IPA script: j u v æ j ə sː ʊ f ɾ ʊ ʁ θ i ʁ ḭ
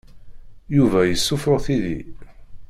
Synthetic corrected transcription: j u v æ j ə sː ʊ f ɾ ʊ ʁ θ i ð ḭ